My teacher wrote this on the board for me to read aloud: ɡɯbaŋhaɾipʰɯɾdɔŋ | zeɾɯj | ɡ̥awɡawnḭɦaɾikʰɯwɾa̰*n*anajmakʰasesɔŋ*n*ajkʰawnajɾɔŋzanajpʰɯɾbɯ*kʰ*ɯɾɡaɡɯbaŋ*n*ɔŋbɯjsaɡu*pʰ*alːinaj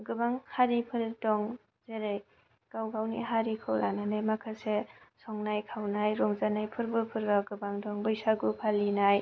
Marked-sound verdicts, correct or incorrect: correct, correct, incorrect: pʰ, incorrect: d, correct

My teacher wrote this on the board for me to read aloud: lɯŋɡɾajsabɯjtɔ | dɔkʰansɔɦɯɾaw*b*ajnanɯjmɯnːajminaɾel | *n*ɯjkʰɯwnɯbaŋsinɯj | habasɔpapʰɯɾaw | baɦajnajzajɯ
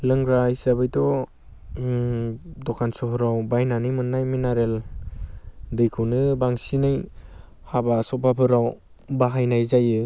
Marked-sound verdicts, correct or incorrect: correct, incorrect: d

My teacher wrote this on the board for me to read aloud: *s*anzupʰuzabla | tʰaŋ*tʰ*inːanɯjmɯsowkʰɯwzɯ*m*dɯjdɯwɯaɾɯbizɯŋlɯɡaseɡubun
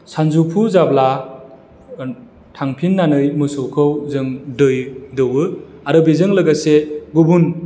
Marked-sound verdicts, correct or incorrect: correct, incorrect: pʰ, incorrect: ŋ

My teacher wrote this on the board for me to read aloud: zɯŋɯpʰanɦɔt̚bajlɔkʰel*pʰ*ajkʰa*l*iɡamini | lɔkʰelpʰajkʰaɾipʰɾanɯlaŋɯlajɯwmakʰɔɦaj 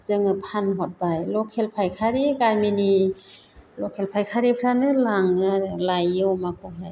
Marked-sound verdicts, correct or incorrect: correct, incorrect: ɾ

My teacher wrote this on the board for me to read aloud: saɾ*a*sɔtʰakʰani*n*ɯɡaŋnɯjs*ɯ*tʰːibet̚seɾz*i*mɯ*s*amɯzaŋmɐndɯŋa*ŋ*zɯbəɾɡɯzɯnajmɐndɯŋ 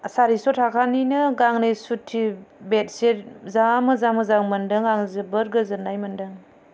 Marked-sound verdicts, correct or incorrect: incorrect: i, correct, incorrect: u, incorrect: a, incorrect: z, correct

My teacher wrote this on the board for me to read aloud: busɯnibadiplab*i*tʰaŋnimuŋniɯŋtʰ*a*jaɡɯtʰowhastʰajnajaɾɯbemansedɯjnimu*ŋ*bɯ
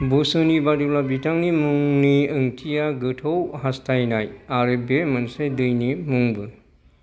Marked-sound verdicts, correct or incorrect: correct, incorrect: i, correct

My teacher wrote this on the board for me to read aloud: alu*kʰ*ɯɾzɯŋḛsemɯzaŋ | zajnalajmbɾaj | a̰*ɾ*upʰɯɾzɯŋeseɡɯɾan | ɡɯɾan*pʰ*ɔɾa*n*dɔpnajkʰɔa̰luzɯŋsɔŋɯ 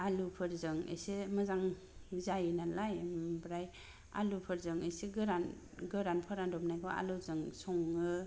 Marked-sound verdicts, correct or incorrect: incorrect: pʰ, incorrect: l, correct, correct

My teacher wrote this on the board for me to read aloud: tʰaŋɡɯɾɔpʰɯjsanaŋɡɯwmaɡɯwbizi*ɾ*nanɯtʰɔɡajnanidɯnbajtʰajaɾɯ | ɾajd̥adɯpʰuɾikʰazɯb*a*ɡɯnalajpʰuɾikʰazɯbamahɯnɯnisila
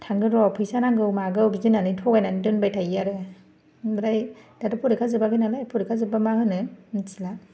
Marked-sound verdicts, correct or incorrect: incorrect: none, correct

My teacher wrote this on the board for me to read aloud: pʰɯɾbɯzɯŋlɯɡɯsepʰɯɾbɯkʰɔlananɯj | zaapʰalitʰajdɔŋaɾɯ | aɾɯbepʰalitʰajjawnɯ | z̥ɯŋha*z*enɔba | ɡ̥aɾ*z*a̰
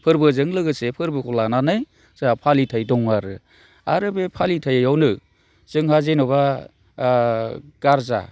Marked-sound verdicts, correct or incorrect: correct, correct

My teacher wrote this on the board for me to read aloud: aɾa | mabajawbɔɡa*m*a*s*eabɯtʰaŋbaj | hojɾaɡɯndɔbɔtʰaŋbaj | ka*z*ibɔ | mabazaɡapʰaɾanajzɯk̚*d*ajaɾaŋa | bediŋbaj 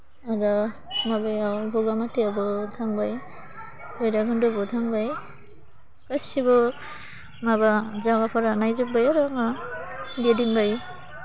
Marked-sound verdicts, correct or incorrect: correct, incorrect: t, incorrect: s, incorrect: b

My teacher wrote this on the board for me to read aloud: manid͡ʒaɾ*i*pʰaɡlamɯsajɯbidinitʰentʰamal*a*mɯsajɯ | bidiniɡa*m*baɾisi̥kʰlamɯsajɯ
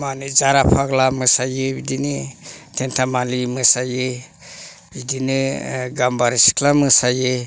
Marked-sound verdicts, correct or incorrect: incorrect: a, incorrect: i, correct

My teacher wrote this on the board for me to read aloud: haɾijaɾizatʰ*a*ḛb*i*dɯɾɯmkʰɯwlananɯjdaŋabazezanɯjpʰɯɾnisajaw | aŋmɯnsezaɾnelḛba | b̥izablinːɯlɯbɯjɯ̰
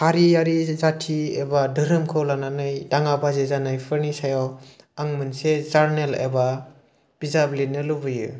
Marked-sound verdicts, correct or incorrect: incorrect: i, incorrect: a

